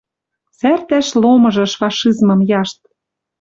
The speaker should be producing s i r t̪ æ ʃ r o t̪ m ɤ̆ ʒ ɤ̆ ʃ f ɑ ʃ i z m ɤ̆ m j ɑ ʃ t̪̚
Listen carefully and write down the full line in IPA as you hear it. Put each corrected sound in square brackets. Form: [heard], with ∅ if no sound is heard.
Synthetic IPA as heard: s [æ] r t̪ æ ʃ [l] o [∅] m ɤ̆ ʒ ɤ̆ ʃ f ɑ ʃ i z m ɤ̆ m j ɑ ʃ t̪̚